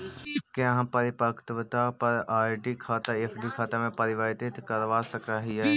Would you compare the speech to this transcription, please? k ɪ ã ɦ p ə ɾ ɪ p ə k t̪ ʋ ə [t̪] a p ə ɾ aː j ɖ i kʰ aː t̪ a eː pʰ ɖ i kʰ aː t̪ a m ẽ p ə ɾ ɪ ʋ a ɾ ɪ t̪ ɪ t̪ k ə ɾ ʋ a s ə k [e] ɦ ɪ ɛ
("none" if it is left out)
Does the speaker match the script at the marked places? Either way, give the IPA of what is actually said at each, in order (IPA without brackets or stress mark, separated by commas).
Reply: t̪, a